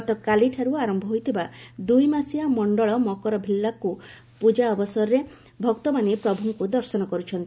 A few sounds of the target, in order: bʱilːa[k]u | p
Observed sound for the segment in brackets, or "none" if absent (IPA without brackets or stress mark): k